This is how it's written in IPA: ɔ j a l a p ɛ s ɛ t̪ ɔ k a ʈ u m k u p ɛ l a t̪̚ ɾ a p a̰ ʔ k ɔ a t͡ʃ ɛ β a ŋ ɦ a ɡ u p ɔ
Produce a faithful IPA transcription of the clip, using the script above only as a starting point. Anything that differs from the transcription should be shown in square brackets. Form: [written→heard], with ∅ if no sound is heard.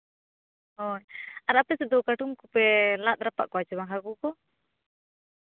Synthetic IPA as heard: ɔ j a [l→ɾ] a p ɛ s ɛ [t̪→d̪] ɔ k a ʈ u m k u p ɛ l a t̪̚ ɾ a p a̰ ʔ k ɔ a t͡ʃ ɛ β a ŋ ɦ a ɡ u [p→k] ɔ